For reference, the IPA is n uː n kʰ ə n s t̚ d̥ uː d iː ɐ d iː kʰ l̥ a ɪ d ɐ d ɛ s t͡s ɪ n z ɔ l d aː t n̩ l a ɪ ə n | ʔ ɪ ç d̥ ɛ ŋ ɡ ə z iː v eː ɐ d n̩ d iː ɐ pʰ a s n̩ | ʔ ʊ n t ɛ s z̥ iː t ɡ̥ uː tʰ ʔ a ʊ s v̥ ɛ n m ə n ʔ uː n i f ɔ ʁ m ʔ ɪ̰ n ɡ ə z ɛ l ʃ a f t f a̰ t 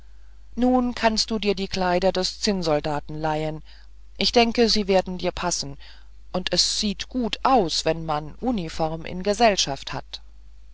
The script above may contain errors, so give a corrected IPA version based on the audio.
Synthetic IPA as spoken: n uː n kʰ a n s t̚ d̥ uː d iː ɐ d iː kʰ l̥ a ɪ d ɐ d ɛ s t͡s ɪ n z ɔ l d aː t n̩ l a ɪ ə n | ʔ ɪ ç d̥ ɛ ŋ k ə z iː v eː ɐ d n̩ d iː ɐ pʰ a s n̩ | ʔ ʊ n t ɛ s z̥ iː t ɡ̥ uː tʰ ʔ a ʊ s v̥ ɛ n m a n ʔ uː n i f ɔ ʁ m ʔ ɪ̰ n ɡ ə z ɛ l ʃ a f t h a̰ t